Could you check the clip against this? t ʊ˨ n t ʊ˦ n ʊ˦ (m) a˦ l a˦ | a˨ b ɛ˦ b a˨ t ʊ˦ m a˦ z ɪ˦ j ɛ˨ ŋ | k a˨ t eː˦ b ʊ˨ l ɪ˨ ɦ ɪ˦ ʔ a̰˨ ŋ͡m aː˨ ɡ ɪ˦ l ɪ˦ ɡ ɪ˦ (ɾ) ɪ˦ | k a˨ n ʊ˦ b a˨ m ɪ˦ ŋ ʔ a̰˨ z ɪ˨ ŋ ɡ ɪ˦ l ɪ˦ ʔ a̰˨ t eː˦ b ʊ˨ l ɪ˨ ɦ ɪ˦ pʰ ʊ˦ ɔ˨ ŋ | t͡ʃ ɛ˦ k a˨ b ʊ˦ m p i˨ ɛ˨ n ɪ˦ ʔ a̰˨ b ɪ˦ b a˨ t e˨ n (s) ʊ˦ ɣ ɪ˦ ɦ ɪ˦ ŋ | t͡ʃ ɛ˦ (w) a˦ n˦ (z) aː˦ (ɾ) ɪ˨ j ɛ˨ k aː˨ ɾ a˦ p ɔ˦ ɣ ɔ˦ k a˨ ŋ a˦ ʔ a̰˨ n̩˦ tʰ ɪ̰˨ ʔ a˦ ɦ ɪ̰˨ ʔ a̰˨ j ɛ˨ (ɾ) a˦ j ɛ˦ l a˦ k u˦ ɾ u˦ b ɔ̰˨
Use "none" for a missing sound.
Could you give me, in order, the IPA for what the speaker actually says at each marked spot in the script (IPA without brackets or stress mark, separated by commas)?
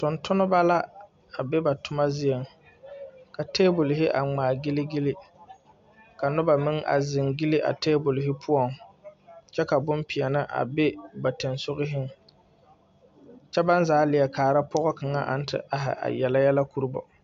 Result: b, l, s, b, z, l, l